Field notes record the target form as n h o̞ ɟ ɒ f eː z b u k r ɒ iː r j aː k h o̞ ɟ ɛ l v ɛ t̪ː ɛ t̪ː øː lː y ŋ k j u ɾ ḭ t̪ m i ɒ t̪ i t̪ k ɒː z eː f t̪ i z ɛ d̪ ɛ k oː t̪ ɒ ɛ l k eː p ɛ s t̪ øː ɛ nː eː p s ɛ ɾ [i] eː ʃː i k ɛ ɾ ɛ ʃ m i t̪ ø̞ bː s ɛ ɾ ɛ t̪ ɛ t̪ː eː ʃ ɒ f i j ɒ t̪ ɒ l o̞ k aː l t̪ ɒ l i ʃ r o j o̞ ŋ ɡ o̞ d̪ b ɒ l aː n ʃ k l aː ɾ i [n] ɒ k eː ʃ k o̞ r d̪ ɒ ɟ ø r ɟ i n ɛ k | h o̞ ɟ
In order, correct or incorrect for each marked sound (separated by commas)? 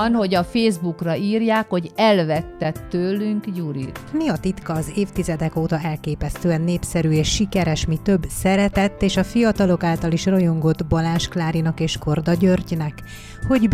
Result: incorrect, correct